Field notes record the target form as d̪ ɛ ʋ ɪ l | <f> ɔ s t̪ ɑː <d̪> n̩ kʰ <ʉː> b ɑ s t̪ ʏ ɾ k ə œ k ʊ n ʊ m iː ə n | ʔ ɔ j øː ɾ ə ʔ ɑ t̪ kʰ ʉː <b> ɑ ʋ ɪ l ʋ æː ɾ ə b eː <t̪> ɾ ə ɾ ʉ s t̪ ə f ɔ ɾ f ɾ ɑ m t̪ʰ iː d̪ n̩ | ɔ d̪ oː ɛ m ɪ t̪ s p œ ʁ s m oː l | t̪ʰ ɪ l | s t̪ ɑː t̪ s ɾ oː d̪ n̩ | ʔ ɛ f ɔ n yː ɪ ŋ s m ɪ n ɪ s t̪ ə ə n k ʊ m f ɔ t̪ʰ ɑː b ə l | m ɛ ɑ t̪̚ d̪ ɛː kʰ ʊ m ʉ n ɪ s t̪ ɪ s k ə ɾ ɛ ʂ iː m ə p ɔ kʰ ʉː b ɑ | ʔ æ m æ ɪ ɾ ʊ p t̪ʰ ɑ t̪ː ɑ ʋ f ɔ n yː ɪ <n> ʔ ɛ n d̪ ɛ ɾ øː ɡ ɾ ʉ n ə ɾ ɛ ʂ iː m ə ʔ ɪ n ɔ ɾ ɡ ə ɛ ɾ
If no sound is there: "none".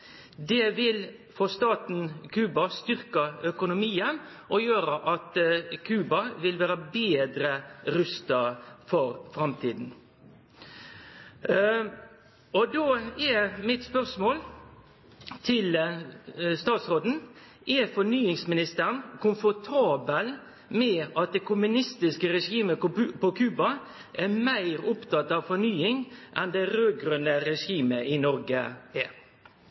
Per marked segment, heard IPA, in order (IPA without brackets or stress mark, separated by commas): f, t̪, ʉː, b, d̪, ŋ